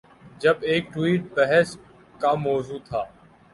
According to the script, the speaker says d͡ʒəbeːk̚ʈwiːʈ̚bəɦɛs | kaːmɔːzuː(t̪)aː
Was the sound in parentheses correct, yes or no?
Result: no